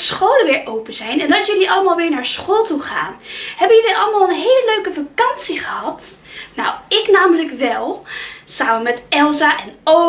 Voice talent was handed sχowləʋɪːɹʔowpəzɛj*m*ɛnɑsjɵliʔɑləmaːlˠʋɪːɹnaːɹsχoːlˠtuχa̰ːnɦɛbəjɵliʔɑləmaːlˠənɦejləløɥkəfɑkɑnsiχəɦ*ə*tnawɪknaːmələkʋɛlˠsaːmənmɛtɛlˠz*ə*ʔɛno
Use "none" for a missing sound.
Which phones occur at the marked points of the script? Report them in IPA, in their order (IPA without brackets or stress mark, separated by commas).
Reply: n, ɑ, a